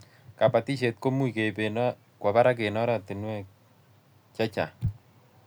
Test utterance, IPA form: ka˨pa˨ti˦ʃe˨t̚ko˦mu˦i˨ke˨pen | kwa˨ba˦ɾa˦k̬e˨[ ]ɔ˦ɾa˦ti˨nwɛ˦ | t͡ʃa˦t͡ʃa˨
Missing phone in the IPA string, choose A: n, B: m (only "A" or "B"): A